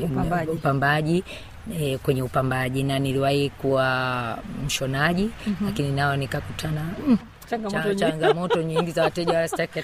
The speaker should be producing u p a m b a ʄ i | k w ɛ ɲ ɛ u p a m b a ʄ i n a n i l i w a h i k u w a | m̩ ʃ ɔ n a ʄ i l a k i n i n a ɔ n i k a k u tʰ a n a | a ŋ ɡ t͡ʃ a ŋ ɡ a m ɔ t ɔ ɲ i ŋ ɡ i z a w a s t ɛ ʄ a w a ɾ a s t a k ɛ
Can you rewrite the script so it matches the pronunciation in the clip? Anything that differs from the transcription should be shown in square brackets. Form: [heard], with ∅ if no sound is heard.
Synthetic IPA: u p a m b a ʄ i | k w ɛ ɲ ɛ u p a m b a ʄ i n a n i l i w a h i k u w a | m̩ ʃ ɔ n a ʄ i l a k i n i n a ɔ n i k a k u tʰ a n a | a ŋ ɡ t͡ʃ a ŋ ɡ a m ɔ t ɔ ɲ i ŋ ɡ i z a w a [∅] t ɛ ʄ a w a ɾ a s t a k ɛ